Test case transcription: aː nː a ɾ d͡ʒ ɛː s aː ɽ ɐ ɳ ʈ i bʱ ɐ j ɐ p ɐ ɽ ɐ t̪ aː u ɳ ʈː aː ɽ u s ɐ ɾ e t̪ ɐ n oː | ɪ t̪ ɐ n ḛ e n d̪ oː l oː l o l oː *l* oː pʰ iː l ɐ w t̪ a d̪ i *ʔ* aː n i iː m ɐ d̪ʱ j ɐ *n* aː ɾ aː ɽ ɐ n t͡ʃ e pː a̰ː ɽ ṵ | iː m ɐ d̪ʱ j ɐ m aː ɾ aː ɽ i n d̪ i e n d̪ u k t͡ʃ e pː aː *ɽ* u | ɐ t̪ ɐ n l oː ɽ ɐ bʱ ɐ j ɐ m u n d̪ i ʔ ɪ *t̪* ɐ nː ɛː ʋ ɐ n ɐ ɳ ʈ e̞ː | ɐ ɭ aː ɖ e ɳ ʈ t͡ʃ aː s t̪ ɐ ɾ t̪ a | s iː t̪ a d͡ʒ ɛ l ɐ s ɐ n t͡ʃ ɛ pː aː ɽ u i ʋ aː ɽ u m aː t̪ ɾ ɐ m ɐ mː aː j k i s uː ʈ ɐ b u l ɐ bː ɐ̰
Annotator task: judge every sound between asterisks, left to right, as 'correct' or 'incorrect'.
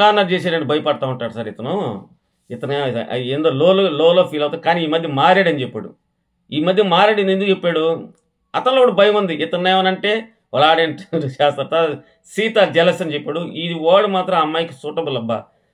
correct, incorrect, incorrect, correct, correct

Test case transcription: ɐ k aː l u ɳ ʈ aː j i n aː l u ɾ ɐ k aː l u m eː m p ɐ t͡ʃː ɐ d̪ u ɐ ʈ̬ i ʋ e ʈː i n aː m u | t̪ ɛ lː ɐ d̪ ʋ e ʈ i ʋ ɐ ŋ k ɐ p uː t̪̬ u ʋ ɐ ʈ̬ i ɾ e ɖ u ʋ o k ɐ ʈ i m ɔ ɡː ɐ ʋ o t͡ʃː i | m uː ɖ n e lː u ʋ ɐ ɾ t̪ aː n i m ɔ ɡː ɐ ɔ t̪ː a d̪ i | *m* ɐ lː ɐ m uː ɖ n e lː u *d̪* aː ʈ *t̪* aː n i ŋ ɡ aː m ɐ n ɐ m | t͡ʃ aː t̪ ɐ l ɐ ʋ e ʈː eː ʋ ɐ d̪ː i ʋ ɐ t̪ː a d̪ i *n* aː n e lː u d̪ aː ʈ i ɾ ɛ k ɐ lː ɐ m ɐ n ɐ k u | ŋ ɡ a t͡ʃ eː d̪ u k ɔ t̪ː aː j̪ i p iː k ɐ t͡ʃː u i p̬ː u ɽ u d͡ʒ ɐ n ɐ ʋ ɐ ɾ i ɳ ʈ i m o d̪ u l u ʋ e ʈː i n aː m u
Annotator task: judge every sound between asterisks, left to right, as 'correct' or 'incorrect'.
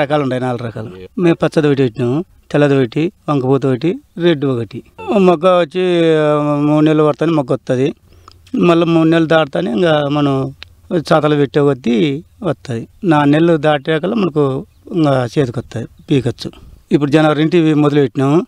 correct, correct, correct, correct

